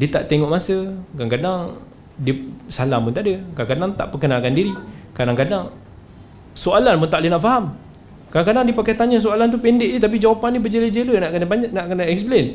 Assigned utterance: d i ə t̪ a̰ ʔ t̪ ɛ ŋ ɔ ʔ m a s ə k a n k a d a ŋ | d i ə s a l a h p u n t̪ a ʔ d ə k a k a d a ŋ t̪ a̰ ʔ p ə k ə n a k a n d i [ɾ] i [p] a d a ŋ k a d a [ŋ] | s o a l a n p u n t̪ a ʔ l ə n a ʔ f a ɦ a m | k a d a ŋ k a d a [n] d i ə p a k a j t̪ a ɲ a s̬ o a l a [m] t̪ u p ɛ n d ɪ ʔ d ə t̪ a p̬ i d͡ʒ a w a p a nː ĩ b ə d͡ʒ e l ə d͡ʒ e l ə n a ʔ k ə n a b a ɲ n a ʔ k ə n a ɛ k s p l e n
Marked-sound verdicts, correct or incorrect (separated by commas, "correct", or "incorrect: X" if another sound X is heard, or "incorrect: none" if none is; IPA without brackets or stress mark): correct, incorrect: k, correct, incorrect: ŋ, incorrect: n